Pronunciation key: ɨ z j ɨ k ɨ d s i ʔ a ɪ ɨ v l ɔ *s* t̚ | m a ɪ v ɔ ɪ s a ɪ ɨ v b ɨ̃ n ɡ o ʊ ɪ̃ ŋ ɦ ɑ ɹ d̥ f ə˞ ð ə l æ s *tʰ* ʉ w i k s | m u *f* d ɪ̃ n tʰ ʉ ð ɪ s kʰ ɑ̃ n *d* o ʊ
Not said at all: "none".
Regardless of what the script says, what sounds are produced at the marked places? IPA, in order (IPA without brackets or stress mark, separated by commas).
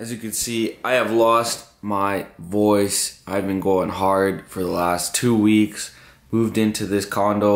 s, tʰ, v, d